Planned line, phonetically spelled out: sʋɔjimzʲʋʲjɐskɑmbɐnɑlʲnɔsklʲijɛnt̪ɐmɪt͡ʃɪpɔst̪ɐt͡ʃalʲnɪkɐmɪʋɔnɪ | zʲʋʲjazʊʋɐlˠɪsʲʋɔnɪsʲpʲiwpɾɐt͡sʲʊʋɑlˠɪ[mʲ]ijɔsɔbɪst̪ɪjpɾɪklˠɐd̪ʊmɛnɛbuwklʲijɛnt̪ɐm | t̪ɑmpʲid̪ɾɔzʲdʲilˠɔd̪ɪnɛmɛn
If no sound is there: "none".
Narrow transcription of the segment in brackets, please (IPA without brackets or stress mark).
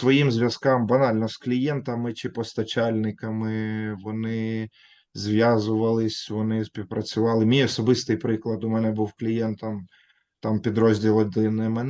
mʲ